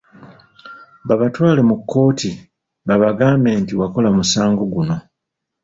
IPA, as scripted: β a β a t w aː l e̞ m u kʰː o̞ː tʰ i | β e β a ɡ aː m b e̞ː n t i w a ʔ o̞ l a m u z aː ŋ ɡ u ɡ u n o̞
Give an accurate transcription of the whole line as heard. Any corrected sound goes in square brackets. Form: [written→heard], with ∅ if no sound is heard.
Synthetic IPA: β a β a t w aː l e̞ m u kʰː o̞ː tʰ i | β [e→a] β a ɡ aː m b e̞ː n t i w a [ʔ→k] o̞ l a m u [z→s] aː ŋ ɡ [u→o] ɡ u n o̞